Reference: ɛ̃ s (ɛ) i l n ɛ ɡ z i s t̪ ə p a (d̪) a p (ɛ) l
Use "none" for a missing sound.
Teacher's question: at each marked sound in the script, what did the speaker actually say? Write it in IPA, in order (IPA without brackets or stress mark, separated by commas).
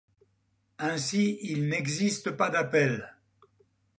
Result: i, d̪, ɛ